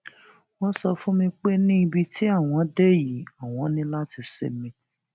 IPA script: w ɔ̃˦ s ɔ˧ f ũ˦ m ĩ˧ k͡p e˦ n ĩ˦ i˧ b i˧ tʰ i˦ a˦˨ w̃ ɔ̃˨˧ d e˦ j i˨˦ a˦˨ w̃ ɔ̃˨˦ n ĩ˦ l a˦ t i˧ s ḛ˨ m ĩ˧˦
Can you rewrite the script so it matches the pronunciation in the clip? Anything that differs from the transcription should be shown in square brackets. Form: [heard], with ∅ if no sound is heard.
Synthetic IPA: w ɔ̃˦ s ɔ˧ f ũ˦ m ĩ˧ k͡p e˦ n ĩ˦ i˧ b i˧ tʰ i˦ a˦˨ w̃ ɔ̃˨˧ d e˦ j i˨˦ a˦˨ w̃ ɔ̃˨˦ n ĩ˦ l a˦ t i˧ s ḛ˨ m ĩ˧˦